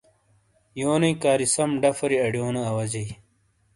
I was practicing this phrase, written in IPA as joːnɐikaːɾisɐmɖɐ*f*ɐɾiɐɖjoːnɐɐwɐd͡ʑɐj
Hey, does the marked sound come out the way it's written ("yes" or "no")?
yes